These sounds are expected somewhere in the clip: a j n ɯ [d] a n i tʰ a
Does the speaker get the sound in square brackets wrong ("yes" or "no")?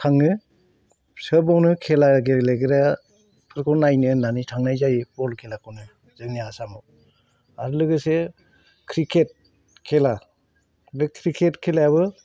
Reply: yes